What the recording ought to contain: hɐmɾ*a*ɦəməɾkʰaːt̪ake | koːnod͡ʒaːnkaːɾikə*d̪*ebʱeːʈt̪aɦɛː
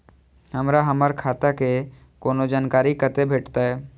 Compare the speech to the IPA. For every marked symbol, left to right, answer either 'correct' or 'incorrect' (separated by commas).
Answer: correct, incorrect